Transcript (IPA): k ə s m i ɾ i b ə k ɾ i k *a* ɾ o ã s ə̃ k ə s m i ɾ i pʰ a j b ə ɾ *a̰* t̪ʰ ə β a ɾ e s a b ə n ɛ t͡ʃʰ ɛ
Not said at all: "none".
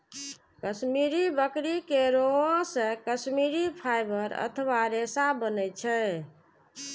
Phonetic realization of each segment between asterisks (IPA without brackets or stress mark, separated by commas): e, ə̰